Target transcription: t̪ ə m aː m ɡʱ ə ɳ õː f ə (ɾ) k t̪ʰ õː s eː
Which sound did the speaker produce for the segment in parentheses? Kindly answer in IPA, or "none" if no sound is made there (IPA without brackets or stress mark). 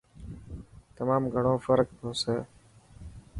ɾ